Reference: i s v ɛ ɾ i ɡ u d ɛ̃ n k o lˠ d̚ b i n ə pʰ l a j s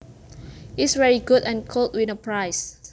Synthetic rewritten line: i s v ɛ ɹ i ɡ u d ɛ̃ n kʰ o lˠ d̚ w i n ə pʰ ɹ a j s